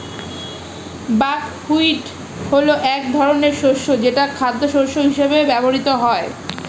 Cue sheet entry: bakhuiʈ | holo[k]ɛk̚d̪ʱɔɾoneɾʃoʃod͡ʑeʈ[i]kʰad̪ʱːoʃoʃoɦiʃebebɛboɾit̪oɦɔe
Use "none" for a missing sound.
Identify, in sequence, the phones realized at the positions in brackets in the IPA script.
ʔ, a

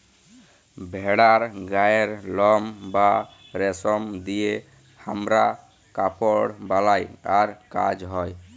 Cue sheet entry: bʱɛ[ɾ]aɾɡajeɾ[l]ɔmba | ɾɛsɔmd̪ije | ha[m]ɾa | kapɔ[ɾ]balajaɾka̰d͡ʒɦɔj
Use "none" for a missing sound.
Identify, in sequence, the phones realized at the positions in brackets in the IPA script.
ɽ, l, m, ɽ

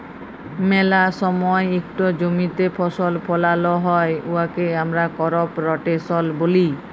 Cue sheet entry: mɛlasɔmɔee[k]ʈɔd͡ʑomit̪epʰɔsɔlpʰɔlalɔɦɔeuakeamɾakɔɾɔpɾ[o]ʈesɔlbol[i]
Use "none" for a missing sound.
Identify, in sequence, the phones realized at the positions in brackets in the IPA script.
k, ɔ, i

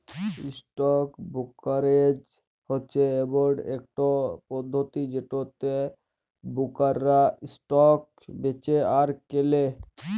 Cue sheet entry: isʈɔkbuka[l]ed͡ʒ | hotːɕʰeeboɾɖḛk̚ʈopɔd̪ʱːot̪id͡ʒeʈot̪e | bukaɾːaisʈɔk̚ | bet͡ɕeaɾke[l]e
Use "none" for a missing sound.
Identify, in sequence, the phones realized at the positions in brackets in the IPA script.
ɾ, l

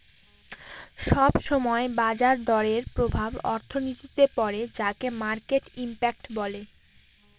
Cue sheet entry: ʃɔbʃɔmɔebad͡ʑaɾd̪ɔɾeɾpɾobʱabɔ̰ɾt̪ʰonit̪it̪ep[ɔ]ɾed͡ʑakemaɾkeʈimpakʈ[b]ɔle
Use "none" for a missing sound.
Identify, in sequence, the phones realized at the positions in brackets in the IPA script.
ɔ, b

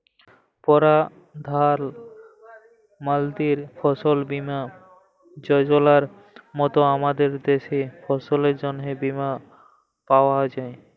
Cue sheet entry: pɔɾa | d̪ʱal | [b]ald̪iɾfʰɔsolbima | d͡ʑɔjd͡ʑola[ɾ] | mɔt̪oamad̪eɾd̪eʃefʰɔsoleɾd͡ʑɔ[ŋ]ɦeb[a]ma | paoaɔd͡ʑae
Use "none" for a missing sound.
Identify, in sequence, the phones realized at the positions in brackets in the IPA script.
m, ɾ, n, i

